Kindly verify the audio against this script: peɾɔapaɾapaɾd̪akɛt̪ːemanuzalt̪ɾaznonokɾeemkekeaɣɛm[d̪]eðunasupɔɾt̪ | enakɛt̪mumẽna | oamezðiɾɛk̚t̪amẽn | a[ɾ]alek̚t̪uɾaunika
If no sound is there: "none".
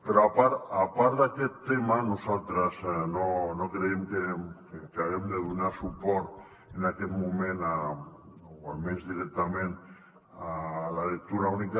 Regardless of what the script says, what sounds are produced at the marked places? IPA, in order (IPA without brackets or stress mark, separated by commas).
d̪, l